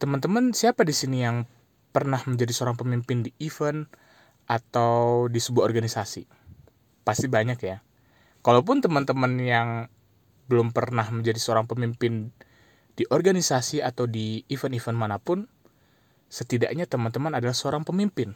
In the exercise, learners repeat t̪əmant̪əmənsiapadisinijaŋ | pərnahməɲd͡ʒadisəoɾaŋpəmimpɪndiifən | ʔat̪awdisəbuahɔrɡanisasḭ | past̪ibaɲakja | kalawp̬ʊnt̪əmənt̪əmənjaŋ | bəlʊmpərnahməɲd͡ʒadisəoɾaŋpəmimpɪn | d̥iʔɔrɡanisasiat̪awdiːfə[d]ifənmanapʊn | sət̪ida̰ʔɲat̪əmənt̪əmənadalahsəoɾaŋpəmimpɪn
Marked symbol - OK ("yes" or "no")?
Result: no